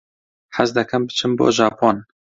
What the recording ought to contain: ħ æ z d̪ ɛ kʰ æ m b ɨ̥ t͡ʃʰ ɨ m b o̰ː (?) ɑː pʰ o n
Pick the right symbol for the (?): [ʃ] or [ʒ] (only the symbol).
ʒ